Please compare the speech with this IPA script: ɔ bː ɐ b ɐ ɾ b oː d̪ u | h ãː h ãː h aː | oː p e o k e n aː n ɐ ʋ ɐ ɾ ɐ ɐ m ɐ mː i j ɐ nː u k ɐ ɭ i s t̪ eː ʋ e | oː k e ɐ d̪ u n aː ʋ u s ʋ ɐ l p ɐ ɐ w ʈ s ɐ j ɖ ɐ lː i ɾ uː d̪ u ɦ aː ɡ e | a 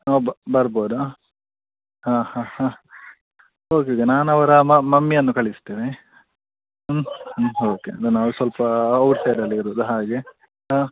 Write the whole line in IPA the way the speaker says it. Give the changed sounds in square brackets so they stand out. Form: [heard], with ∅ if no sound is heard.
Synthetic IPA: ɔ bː ɐ b ɐ ɾ b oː d̪ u | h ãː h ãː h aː | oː [k] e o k e n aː n ɐ ʋ ɐ ɾ ɐ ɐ m ɐ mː i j ɐ nː u k ɐ ɭ i s t̪ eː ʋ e | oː k e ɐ d̪ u n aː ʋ u s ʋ ɐ l p ɐ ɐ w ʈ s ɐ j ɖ ɐ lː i ɾ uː d̪ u ɦ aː ɡ e | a